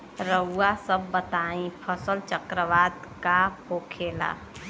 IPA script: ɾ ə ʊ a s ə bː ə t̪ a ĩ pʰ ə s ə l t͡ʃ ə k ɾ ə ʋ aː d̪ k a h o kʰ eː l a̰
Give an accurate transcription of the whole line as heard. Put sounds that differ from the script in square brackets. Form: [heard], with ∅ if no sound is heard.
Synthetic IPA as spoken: ɾ ə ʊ a s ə bː ə t̪ a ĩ pʰ ə s ə l t͡ʃ ə k ɾ ə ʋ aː d̪ k a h o kʰ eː l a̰